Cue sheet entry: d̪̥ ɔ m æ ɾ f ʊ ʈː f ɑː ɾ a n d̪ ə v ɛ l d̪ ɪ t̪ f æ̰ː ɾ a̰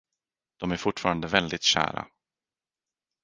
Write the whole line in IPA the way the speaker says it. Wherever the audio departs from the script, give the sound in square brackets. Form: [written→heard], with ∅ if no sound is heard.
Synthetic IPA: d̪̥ ɔ m æ ɾ f ʊ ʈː f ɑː ɾ a n d̪ ə v ɛ l d̪ ɪ t̪ [f→ɕ] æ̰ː ɾ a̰